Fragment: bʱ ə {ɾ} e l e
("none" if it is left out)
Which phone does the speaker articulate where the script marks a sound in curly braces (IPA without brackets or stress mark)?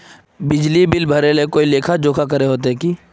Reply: ɾ